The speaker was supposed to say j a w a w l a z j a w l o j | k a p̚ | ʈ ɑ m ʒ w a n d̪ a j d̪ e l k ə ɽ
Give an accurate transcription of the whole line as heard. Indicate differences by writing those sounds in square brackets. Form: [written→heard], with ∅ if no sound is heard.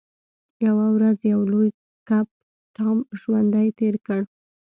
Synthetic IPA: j a w a w [l→ɾ] a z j a w l o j | k a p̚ | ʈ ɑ m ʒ w a n d̪ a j [d̪→t̪] e [l→ɾ] k ə ɽ